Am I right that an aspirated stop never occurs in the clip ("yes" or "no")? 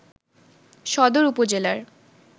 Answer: yes